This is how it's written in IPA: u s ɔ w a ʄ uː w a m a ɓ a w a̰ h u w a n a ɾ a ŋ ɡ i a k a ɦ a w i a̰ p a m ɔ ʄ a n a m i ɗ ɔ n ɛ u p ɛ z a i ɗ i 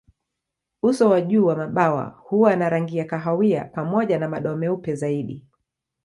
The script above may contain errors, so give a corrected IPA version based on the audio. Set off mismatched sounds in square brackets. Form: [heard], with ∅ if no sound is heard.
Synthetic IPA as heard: u s ɔ w a ʄ uː w a m a ɓ a w a̰ h u w a n a ɾ a ŋ ɡ i a k a ɦ a w i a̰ p a m ɔ ʄ a n a m [a] ɗ ɔ [m] ɛ u p ɛ z a i ɗ i

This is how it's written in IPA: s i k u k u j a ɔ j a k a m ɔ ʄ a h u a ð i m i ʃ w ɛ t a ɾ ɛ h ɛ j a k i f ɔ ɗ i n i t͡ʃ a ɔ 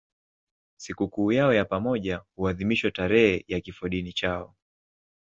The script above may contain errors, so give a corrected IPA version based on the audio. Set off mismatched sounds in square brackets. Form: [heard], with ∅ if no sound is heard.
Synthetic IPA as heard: s i k u k [uː] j a ɔ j a [p] a m ɔ ʄ a h u a ð i m i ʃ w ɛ t a ɾ ɛ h ɛ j a k i f ɔ ɗ i n i t͡ʃ a ɔ

